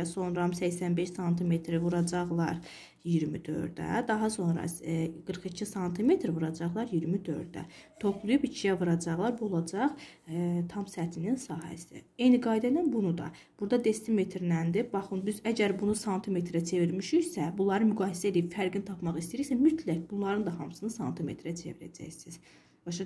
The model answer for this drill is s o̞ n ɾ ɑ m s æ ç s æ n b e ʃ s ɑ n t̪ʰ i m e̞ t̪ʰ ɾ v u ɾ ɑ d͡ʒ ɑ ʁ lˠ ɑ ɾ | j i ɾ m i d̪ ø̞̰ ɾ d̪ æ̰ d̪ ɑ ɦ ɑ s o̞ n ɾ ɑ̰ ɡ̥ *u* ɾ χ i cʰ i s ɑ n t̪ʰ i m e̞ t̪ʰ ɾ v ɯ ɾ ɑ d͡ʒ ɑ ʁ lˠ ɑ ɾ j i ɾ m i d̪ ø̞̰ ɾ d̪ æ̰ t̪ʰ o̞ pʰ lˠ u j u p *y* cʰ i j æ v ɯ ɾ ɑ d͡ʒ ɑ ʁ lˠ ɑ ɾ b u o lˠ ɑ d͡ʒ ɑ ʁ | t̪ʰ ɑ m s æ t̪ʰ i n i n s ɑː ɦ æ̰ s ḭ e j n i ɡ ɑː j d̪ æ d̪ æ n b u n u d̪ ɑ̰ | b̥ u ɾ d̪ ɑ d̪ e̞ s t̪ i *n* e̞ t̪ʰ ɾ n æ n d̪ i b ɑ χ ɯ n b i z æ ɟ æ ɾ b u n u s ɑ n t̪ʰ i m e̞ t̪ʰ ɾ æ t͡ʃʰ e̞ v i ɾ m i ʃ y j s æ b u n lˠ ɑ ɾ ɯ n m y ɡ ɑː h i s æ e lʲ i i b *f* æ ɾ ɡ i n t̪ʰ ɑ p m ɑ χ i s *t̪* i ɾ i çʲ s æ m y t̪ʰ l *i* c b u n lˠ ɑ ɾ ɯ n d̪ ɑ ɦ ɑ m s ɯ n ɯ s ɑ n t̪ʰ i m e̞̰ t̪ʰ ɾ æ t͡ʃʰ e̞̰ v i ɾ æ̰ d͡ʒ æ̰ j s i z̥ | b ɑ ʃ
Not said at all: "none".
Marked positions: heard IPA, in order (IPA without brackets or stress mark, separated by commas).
ɯ, i, m, f, t̪, æ